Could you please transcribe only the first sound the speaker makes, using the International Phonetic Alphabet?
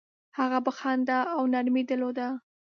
h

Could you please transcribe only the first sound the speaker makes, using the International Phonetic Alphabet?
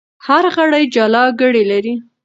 h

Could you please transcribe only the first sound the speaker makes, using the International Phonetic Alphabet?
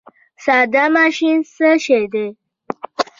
s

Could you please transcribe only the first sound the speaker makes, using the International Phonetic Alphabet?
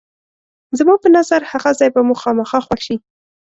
z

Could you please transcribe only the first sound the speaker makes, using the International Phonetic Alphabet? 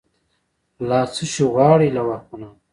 l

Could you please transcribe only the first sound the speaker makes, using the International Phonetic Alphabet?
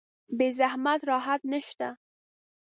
b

